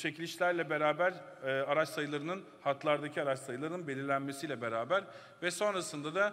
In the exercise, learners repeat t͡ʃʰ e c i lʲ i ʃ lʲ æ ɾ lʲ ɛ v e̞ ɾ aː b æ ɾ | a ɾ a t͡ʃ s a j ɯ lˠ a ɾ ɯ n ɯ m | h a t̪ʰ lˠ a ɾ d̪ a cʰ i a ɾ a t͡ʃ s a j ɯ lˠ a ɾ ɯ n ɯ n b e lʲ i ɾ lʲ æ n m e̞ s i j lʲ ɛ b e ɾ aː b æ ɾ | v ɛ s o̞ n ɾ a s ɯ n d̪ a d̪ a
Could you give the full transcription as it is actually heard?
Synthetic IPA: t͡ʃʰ e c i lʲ i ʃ lʲ æ ɾ lʲ ɛ b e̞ ɾ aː b æ ɾ | a ɾ a t͡ʃ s a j ɯ lˠ a ɾ ɯ n ɯ n | h a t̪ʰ lˠ a ɾ d̪ a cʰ i a ɾ a t͡ʃ s a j ɯ lˠ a ɾ ɯ n ɯ n b e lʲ i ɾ lʲ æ n m e̞ s i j lʲ ɛ b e ɾ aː b æ ɾ | v ɛ s o̞ n ɾ a s ɯ n d̪ a d̪ a